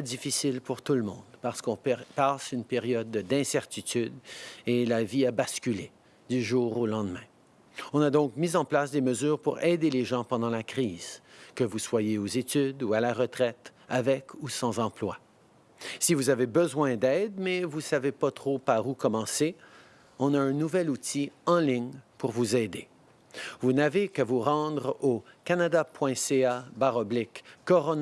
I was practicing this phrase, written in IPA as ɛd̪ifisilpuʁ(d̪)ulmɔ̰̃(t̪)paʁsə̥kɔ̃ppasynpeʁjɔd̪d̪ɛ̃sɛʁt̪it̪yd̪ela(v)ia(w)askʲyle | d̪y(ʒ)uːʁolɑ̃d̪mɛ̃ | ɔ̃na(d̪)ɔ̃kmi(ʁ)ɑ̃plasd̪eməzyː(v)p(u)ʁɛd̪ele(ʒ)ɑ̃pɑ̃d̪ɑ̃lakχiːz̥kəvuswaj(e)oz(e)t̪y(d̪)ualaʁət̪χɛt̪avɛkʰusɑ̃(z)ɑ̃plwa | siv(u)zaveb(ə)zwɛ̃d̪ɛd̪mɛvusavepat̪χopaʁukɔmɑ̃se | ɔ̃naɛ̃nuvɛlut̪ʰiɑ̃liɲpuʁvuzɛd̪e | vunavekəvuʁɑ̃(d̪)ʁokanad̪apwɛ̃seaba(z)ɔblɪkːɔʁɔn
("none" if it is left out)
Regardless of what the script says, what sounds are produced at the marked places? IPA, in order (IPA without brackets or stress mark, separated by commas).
t̪, d̪, v, b, ʒ, d̪, z, ʁ, u, ʒ, e, e, d̪, z, u, ə, d̪, ʁ